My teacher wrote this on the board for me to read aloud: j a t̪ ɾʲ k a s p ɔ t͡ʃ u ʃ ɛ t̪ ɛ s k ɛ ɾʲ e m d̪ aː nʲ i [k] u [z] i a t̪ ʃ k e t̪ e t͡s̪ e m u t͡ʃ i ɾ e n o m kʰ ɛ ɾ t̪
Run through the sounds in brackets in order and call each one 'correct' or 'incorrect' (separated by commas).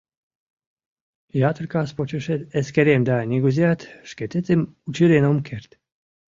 incorrect, correct